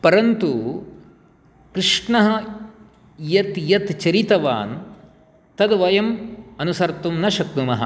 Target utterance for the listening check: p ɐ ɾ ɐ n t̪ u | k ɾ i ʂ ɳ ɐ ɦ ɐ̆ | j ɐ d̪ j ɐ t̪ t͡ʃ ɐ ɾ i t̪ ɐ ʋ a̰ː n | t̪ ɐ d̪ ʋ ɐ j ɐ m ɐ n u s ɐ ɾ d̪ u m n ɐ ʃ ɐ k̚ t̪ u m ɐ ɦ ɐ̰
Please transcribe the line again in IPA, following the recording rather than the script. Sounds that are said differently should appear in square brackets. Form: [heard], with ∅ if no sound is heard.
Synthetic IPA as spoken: p ɐ ɾ ɐ n t̪ u | k ɾ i ʂ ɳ ɐ ɦ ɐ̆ | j ɐ [t̪] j ɐ t̪ t͡ʃ ɐ ɾ i t̪ ɐ ʋ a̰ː n | t̪ ɐ d̪ ʋ ɐ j ɐ m ɐ n u s ɐ ɾ [t̪] u m n ɐ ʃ ɐ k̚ t̪ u m ɐ ɦ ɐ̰

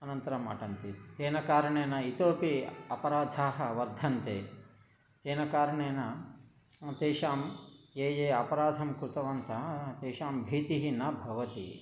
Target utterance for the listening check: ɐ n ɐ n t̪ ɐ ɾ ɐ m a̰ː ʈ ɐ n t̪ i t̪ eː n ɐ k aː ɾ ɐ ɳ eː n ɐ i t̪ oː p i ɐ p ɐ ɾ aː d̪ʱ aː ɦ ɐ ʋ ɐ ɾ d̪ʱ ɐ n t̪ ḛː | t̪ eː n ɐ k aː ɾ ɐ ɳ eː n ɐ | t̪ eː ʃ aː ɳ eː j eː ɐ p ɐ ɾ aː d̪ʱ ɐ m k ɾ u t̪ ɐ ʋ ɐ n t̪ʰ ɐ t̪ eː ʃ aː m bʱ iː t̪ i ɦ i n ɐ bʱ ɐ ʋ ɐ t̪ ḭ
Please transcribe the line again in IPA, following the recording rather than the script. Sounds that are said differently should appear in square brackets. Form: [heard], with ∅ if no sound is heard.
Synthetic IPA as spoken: ɐ n ɐ n t̪ ɐ ɾ ɐ m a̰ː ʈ ɐ n t̪ i t̪ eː n ɐ k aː ɾ ɐ ɳ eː n ɐ i t̪ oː p i ɐ p ɐ ɾ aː d̪ʱ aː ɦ ɐ ʋ ɐ ɾ d̪ʱ ɐ n t̪ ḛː | t̪ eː n ɐ k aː ɾ ɐ ɳ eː n ɐ | t̪ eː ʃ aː [m] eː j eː ɐ p ɐ ɾ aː d̪ʱ ɐ m k ɾ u t̪ ɐ ʋ ɐ n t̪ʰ ɐ t̪ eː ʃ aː m bʱ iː t̪ i ɦ i n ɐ bʱ ɐ ʋ ɐ t̪ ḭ

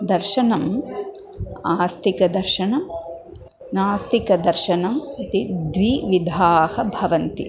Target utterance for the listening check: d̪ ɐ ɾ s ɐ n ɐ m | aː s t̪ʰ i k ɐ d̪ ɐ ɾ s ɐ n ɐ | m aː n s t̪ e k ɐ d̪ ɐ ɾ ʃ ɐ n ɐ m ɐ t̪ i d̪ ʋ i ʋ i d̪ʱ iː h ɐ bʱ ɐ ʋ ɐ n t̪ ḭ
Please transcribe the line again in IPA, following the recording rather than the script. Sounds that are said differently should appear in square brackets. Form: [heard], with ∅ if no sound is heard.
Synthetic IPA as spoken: d̪ ɐ ɾ [ʃ] ɐ n ɐ m | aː s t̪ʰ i k ɐ d̪ ɐ ɾ [ʃ] ɐ n ɐ | [n] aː [∅] s t̪ [i] k ɐ d̪ ɐ ɾ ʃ ɐ n ɐ m ɐ t̪ i d̪ ʋ i ʋ i d̪ʱ [aː] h ɐ bʱ ɐ ʋ ɐ n t̪ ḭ

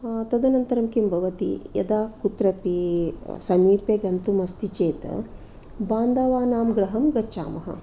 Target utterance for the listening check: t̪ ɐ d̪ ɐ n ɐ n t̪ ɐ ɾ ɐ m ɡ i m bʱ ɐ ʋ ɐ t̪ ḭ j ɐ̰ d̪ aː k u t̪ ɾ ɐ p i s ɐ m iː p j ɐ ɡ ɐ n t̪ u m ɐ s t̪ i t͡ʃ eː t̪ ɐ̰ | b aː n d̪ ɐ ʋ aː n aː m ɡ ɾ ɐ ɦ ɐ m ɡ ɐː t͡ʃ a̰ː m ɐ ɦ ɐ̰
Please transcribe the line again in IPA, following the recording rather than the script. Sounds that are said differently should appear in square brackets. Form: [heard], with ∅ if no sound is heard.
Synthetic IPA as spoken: t̪ ɐ d̪ ɐ n ɐ n t̪ ɐ ɾ ɐ m [k] i m bʱ ɐ ʋ ɐ t̪ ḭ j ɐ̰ d̪ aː k u t̪ ɾ ɐ p i s ɐ m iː p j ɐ ɡ ɐ n t̪ u m ɐ s t̪ i t͡ʃ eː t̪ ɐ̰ | b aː n d̪ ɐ ʋ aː n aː m ɡ ɾ ɐ ɦ ɐ m ɡ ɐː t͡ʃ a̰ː m ɐ ɦ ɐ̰

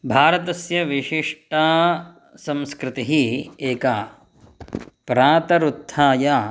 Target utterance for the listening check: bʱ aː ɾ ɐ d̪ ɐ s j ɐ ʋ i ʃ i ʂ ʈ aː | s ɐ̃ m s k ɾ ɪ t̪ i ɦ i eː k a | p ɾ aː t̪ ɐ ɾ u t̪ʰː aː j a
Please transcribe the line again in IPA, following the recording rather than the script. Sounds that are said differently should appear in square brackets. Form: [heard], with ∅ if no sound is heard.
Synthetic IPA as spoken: bʱ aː ɾ ɐ [t̪] ɐ s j ɐ ʋ i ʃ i ʂ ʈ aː | s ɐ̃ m s k ɾ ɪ t̪ i ɦ i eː k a | p ɾ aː t̪ ɐ ɾ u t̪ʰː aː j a

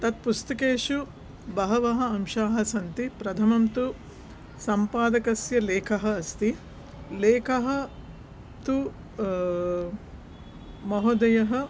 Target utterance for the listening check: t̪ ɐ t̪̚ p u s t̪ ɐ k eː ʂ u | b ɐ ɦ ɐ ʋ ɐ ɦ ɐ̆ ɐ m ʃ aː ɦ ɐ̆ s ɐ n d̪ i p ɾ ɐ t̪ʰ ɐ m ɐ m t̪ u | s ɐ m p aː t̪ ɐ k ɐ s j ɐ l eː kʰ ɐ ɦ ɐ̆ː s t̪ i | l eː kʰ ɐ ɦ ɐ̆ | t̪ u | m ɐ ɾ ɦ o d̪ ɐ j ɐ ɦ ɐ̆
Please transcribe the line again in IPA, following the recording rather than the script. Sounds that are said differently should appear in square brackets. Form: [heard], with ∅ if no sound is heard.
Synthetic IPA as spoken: t̪ ɐ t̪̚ p u s t̪ ɐ k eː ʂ u | b ɐ ɦ ɐ ʋ ɐ ɦ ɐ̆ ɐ m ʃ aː ɦ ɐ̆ s ɐ n [t̪] i p ɾ ɐ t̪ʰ ɐ m ɐ m t̪ u | s ɐ m p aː [d̪] ɐ k ɐ s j ɐ l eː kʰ ɐ ɦ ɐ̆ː s t̪ i | l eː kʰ ɐ ɦ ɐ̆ | t̪ u | m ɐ [∅] ɦ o d̪ ɐ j ɐ ɦ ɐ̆

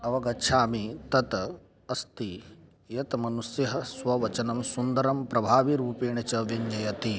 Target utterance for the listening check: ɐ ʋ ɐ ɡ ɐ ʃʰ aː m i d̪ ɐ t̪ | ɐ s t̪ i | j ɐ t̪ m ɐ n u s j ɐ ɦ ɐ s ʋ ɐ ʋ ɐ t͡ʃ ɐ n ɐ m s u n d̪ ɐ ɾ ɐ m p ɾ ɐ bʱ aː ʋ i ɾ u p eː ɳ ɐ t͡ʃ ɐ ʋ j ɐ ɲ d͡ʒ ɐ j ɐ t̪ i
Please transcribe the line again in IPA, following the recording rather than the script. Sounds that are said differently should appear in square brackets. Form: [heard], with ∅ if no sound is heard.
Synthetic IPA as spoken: ɐ ʋ ɐ ɡ ɐ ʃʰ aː m i [t̪] ɐ t̪ | ɐ s t̪ i | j ɐ t̪ m ɐ n u s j ɐ ɦ ɐ s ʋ ɐ ʋ ɐ t͡ʃ ɐ n ɐ m s u n d̪ ɐ ɾ ɐ m p ɾ ɐ bʱ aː ʋ i ɾ [uː] p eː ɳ ɐ t͡ʃ ɐ ʋ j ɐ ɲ d͡ʒ ɐ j ɐ t̪ i

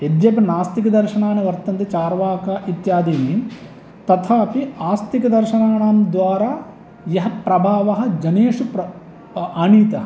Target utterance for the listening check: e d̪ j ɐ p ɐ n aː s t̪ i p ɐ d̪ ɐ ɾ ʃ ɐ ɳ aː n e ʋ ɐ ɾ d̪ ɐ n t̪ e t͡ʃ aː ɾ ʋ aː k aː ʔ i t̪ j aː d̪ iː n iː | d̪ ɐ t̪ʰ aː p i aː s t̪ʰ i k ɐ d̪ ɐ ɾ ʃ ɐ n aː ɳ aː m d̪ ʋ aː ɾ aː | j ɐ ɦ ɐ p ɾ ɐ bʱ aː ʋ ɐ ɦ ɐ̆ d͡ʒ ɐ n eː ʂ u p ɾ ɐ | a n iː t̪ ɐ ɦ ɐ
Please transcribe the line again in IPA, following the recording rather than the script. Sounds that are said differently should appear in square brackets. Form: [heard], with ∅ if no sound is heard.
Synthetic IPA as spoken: e d̪ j ɐ p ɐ n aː s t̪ i [k] ɐ d̪ ɐ ɾ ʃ ɐ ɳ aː n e ʋ ɐ ɾ [t̪] ɐ n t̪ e t͡ʃ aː ɾ ʋ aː k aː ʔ i t̪ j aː d̪ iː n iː | [t̪] ɐ t̪ʰ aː p i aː s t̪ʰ i k ɐ d̪ ɐ ɾ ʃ ɐ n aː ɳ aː m d̪ ʋ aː ɾ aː | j ɐ ɦ ɐ p ɾ ɐ bʱ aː ʋ ɐ ɦ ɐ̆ d͡ʒ ɐ n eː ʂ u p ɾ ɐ | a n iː t̪ ɐ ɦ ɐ

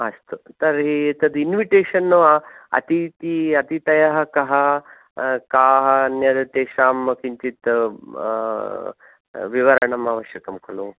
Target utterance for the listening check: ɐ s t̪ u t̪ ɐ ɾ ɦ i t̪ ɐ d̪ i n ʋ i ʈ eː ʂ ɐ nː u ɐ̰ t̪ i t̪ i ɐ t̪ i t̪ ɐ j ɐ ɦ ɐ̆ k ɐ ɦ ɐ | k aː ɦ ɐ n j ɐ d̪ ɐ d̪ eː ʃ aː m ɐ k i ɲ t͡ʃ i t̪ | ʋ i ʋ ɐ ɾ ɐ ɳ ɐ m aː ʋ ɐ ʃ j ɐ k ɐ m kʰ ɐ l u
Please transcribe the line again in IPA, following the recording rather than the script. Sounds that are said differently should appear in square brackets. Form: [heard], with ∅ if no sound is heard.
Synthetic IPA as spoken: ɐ s t̪ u t̪ ɐ ɾ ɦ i t̪ ɐ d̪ i n ʋ i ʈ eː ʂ ɐ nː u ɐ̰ t̪ i t̪ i ɐ t̪ i t̪ ɐ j ɐ ɦ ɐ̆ k ɐ ɦ ɐ | k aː ɦ ɐ n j ɐ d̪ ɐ [t̪] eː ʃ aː m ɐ k i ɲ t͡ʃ i t̪ | ʋ i ʋ ɐ ɾ ɐ ɳ ɐ m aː ʋ ɐ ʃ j ɐ k ɐ m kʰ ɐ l u

